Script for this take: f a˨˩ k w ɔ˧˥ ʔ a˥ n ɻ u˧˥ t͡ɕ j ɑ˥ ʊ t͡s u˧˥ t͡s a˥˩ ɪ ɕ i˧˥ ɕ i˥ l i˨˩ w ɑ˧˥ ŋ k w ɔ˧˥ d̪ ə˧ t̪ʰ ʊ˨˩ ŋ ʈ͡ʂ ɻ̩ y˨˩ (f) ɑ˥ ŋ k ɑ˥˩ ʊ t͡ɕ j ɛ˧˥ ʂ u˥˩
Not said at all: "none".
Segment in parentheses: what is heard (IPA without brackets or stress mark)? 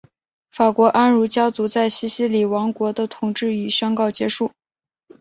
ɕ